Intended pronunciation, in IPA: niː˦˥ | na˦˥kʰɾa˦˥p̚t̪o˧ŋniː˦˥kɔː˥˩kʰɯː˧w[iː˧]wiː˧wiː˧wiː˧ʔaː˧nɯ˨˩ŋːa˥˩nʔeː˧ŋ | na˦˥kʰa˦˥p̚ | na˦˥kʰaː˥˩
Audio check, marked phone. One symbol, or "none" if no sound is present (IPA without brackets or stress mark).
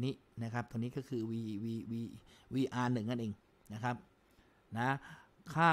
iː˧